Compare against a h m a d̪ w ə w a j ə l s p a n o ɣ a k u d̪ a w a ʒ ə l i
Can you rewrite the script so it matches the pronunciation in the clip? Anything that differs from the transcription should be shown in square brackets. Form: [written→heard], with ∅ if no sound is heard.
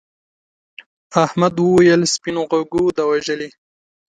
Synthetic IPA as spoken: a h m a d̪ w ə w a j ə l s p [a→i] n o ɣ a [k→ɡ] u d̪ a w a ʒ ə l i